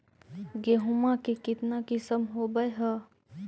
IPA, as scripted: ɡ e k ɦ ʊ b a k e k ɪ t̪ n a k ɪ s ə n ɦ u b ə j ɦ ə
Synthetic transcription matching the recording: ɡ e ɦ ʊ m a k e k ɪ t̪ n a k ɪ s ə m ɦ o b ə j ɦ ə